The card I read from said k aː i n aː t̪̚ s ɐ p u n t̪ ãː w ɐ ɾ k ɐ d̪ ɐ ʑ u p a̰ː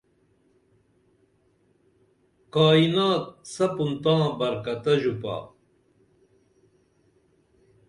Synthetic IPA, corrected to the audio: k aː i n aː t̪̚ s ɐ p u n t̪ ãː b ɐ ɾ k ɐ t̪ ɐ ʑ u p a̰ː